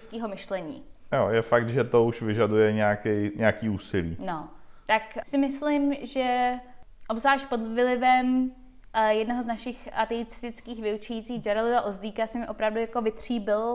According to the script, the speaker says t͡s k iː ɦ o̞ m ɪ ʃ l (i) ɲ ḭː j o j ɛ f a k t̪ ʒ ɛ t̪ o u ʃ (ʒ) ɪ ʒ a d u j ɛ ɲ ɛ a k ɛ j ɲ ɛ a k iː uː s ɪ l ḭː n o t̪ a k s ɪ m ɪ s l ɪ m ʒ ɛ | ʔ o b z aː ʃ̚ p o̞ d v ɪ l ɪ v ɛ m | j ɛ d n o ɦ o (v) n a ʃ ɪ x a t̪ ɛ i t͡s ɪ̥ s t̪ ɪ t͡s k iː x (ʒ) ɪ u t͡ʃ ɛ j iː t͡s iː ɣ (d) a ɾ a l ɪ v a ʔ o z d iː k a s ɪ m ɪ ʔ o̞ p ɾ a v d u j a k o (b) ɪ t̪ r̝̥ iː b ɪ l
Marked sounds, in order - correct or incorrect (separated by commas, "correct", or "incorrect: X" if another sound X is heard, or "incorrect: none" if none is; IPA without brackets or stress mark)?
incorrect: ɛ, incorrect: v, incorrect: z, incorrect: v, incorrect: d͡ʒ, incorrect: v